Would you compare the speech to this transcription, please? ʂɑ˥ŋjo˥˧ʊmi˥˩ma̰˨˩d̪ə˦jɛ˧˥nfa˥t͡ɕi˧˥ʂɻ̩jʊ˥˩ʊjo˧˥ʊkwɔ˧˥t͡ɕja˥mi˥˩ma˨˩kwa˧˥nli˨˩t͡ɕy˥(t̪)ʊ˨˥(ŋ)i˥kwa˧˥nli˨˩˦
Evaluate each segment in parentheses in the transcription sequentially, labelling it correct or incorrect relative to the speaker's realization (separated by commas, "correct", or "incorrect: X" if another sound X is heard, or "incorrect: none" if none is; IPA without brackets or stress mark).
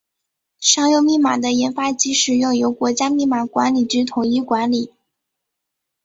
incorrect: t̪ʰ, correct